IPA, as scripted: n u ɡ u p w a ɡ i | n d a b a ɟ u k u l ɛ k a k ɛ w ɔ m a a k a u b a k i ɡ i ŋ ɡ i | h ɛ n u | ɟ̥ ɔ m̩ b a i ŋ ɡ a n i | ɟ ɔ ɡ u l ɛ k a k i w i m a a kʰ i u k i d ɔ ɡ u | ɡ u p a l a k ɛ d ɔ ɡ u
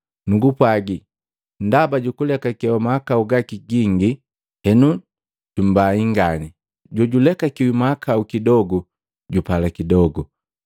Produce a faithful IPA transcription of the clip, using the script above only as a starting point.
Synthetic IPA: n u ɡ u p w a ɡ i | n d a b a ɟ u k u l ɛ k a k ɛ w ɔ m a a k a u ɡ a k i ɡ i ŋ ɡ i | h ɛ n u | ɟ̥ u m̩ b a i ŋ ɡ a n i | ɟ ɔ ɟ u l ɛ k a k i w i m a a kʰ a u k i d ɔ ɡ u | ɟ u p a l a k i d ɔ ɡ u